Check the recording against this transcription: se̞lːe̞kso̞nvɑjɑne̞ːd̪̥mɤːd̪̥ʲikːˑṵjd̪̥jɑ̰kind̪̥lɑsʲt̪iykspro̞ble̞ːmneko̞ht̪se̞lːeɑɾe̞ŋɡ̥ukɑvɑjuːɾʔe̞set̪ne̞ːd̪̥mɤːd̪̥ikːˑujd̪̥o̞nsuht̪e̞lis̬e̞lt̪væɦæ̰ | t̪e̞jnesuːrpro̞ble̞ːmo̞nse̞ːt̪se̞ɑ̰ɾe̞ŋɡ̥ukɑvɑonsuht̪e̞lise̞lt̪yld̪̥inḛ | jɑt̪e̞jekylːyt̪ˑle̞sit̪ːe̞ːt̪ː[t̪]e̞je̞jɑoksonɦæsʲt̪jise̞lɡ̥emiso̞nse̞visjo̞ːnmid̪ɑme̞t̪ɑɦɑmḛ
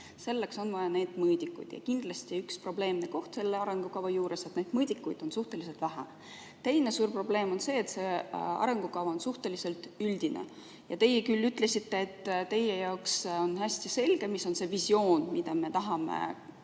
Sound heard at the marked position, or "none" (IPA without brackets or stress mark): t̪